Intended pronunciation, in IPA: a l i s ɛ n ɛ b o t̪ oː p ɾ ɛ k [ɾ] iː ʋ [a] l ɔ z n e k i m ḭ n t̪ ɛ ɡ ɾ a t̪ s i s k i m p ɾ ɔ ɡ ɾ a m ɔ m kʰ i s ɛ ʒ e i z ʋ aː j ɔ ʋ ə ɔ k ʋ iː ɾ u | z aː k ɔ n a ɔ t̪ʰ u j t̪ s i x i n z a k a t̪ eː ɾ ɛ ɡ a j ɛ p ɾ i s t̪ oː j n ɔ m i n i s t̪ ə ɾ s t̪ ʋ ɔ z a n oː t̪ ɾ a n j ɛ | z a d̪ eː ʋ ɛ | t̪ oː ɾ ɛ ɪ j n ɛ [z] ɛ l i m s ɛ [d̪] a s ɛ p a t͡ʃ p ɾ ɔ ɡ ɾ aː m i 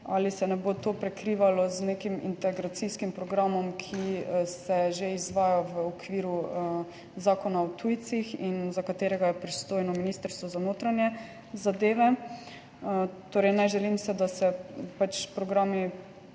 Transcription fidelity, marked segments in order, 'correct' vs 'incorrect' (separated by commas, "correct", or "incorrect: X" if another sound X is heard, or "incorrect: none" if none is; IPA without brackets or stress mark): correct, correct, incorrect: ʒ, correct